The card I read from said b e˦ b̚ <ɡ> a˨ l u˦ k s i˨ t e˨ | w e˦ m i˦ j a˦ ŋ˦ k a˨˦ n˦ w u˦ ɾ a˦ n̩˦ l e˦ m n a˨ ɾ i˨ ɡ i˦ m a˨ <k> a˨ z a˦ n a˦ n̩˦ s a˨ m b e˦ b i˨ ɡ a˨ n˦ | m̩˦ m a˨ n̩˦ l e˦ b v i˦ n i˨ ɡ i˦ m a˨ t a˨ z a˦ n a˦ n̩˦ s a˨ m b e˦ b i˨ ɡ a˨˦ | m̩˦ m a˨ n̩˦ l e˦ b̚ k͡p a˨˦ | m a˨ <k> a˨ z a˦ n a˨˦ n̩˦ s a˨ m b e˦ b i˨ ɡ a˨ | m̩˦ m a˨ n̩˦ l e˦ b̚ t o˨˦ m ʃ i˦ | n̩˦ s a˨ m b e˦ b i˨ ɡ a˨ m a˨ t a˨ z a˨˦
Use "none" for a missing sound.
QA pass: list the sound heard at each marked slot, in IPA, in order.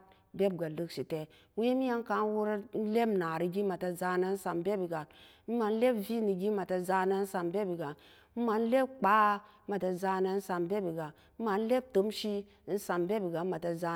ɡ, t, t

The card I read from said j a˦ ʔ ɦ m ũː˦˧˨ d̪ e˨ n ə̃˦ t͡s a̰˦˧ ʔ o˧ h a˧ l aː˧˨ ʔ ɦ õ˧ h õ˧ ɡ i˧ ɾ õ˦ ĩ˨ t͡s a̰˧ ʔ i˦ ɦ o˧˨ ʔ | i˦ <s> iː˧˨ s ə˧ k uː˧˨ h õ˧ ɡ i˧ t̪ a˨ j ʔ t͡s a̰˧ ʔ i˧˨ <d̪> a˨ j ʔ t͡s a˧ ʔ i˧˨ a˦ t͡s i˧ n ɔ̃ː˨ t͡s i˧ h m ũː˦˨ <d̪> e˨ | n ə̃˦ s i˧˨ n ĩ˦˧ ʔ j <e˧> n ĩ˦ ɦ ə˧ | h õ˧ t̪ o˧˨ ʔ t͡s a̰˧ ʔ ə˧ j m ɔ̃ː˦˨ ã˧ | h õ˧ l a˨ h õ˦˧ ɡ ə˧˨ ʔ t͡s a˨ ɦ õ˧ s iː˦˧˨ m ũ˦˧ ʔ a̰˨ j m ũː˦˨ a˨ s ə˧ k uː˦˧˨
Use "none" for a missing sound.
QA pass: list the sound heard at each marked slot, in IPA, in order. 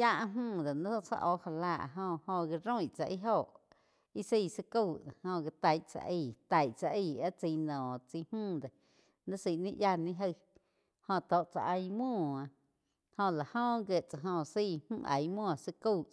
s, t̪, d̪, a˧

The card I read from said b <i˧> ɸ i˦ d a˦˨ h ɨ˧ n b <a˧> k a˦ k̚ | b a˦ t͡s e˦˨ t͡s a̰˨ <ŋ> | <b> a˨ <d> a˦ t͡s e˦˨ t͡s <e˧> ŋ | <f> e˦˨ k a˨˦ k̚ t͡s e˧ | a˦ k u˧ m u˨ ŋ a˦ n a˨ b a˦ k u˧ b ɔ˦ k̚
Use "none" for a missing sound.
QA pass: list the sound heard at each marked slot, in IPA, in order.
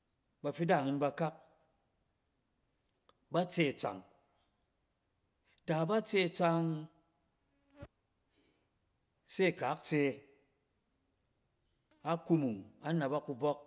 a˧, a˧, ŋ, d, b, a˧, s

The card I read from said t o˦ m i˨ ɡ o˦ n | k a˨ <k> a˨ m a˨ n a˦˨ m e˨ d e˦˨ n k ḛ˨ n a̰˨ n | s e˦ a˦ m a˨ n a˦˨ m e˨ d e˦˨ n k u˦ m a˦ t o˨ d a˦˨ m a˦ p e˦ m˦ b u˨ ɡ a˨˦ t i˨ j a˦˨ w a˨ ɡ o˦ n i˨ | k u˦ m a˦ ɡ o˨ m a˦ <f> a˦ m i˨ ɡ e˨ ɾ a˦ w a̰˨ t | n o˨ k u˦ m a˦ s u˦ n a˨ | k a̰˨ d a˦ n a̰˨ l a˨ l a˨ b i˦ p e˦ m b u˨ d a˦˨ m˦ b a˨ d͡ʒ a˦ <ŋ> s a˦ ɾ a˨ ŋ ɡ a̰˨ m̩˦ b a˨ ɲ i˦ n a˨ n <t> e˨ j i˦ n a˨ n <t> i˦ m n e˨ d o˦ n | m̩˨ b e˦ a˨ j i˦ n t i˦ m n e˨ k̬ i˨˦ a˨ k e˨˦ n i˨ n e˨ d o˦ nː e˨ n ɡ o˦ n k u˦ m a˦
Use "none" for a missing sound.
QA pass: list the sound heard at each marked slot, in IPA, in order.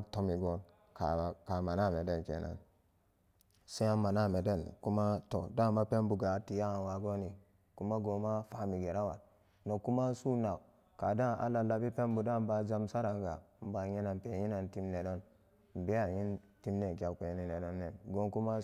k, f, m, p, t

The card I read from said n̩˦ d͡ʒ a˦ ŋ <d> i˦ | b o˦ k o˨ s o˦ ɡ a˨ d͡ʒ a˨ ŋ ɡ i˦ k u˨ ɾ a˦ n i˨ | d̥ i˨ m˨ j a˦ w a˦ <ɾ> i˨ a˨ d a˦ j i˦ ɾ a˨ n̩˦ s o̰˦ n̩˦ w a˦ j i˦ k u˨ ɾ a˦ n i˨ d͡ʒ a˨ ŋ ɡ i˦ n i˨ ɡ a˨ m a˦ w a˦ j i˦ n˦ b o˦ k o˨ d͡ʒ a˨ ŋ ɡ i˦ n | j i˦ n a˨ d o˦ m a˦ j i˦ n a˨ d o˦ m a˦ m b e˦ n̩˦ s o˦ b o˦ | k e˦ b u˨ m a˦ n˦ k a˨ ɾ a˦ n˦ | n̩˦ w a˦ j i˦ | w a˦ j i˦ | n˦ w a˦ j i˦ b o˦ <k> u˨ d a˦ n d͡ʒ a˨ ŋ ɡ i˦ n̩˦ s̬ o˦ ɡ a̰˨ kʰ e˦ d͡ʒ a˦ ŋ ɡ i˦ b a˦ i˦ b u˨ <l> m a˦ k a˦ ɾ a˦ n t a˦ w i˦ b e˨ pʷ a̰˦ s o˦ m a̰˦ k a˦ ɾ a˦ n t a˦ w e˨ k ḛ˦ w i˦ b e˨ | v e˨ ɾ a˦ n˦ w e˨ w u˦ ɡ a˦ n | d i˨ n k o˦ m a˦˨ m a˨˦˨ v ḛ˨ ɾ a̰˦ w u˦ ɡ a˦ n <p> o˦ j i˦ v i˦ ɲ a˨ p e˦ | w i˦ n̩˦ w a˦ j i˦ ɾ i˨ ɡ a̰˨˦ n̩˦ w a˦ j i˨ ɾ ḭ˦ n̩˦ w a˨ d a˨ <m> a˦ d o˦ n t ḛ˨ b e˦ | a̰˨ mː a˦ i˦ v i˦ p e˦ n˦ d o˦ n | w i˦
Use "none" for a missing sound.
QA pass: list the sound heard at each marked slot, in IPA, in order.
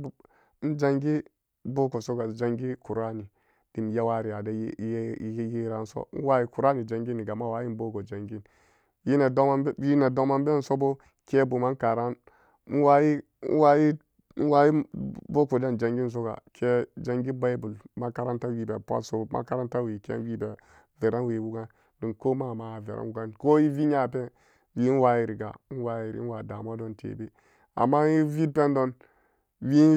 ɡ, ɾ, k, l, k, m

